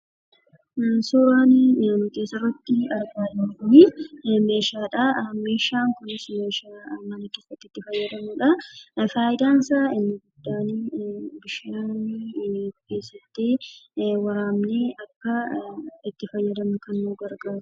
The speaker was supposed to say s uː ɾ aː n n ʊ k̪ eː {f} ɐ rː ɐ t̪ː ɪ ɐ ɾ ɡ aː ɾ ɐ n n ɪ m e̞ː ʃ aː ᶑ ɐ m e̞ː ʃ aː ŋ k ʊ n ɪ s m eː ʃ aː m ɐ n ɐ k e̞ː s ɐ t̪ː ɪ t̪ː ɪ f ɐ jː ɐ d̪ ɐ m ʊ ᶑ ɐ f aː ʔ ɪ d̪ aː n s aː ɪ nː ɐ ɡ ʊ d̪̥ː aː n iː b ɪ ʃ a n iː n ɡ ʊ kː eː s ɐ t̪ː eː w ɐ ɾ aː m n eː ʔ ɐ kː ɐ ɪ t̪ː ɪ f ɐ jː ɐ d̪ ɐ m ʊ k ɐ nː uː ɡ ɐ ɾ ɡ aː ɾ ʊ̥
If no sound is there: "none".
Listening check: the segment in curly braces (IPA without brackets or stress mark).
s